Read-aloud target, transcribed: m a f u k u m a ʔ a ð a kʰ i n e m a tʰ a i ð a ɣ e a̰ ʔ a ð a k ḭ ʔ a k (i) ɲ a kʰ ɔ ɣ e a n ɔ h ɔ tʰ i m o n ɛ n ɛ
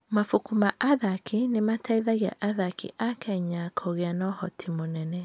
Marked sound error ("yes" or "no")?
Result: yes